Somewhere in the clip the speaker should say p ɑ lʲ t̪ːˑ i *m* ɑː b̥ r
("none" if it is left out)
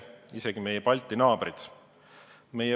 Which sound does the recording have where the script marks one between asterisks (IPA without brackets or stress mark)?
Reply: n